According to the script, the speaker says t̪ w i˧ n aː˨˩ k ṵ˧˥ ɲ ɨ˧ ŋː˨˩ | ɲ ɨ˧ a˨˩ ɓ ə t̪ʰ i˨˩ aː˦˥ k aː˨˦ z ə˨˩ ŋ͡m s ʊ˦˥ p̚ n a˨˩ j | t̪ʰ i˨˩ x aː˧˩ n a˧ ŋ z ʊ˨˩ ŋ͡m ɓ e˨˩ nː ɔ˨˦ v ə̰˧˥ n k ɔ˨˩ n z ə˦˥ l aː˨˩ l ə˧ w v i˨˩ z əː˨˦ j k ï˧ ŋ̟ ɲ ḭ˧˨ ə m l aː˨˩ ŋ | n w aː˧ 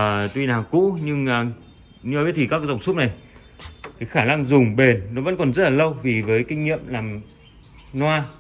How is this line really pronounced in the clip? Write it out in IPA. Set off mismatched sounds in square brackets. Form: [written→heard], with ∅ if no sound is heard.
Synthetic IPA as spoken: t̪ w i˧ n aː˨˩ k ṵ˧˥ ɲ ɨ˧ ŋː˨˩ | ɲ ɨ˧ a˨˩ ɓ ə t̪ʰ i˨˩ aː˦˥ k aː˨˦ z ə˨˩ ŋ͡m s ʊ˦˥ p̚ n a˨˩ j | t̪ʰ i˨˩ x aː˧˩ n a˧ ŋ z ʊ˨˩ ŋ͡m ɓ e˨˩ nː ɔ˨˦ v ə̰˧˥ n k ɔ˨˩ n z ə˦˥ l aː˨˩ l ə˧ w v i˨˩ [z→v] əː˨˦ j k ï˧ ŋ̟ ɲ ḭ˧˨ ə m l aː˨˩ [ŋ→m] | n w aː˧